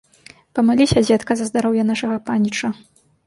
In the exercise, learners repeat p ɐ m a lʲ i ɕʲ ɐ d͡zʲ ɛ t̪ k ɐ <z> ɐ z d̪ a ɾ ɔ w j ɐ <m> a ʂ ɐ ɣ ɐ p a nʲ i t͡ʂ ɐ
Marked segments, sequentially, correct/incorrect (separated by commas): correct, incorrect